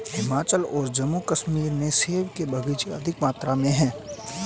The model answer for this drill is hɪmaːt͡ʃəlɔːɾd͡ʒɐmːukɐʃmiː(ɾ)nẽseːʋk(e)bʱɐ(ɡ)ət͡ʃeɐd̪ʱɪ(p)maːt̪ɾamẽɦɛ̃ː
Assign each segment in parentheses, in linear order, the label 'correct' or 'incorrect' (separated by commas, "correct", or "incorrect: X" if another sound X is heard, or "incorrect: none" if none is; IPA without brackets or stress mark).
correct, correct, correct, incorrect: k